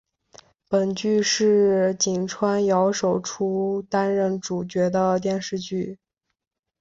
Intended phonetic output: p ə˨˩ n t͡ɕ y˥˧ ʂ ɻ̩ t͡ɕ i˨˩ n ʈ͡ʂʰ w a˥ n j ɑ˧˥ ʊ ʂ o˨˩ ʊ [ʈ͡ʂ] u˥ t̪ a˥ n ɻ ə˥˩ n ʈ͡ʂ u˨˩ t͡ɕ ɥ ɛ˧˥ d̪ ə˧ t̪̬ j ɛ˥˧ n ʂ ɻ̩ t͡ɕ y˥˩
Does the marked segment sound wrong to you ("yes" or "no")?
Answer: yes